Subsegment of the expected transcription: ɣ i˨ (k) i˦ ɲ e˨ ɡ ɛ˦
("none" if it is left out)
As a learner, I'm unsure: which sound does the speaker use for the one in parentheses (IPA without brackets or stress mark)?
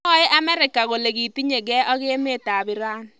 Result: t